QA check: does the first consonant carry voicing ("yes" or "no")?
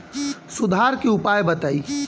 no